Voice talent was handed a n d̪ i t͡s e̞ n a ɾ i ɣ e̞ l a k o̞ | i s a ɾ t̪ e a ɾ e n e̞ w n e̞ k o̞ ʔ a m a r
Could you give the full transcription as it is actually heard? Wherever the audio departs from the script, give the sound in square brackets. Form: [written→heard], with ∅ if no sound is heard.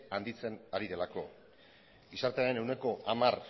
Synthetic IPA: a n d̪ i t͡s e̞ n a ɾ i [ɣ→ð] e̞ l a k o̞ | i s a ɾ t̪ e a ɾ e n e̞ w n e̞ k o̞ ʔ a m a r